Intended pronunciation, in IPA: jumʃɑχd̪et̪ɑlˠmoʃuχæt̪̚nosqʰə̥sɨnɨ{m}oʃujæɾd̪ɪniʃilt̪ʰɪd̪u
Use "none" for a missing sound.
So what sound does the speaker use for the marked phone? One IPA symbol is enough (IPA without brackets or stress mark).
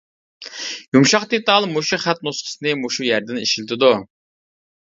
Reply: m